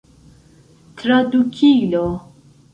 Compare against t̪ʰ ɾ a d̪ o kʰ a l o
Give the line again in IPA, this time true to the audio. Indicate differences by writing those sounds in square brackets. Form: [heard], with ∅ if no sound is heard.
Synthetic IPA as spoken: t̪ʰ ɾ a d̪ [u] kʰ [i] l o